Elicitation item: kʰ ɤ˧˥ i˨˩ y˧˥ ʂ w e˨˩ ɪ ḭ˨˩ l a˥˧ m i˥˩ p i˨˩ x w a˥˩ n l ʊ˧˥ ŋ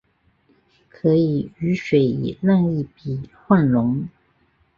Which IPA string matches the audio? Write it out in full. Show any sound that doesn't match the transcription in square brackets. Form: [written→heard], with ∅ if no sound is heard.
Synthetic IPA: kʰ ɤ˧˥ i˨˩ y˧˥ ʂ w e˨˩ ɪ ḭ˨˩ l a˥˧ [m→ŋ] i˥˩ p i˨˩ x w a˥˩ n l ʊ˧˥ ŋ